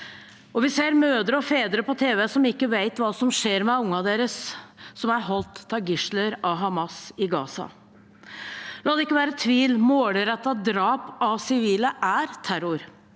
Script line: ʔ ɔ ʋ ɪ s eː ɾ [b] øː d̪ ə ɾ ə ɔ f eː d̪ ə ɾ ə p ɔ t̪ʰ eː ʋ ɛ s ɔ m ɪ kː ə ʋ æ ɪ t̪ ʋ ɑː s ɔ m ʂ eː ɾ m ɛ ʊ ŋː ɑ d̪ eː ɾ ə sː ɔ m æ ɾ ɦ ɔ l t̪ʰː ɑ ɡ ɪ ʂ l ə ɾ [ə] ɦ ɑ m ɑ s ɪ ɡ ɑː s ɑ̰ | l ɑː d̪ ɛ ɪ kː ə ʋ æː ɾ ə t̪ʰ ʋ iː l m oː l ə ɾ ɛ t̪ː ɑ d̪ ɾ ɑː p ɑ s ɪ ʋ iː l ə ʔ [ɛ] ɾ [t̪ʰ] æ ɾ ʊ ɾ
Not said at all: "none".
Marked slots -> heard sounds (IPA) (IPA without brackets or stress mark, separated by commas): m, ɑ, æ, t̪ʰ